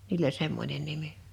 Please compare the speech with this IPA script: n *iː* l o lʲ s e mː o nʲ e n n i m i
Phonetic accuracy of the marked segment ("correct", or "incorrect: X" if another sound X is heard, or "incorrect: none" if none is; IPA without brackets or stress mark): correct